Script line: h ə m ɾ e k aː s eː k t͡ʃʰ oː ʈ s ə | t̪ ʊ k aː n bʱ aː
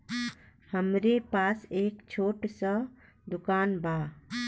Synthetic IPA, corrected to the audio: h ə m ɾ e p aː s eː k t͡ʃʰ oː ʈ s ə | d̪ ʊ k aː n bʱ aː